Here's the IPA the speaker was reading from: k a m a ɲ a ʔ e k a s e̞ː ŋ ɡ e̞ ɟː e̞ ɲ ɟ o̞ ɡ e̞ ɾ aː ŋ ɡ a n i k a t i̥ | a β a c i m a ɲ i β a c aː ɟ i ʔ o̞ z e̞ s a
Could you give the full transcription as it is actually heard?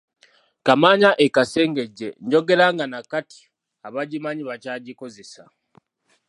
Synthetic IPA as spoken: k a m a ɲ a ʔ e k a s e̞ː ŋ ɡ e̞ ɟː e̞ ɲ ɟ o̞ ɡ e̞ ɾ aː ŋ ɡ a n a k a t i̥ | a β a ɟ i m a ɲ i β a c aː ɟ i k o̞ z e̞ s a